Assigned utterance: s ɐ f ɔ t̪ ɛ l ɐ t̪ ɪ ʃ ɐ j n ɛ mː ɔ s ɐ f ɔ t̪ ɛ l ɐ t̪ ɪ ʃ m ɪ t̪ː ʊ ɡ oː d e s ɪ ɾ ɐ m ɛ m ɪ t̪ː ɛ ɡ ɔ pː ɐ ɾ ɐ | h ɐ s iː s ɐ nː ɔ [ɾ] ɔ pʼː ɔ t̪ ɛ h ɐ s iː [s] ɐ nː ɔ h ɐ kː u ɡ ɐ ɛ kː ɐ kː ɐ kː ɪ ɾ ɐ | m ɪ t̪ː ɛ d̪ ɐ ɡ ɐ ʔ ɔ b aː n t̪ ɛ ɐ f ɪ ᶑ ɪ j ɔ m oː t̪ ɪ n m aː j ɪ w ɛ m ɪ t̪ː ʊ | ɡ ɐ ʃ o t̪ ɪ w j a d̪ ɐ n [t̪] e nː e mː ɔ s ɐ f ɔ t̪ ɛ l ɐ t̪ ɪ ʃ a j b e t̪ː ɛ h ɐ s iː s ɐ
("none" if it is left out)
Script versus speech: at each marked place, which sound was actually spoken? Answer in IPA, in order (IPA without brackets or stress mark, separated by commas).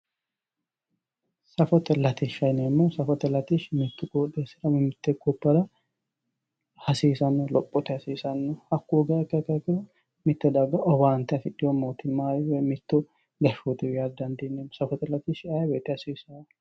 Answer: l, s, d̪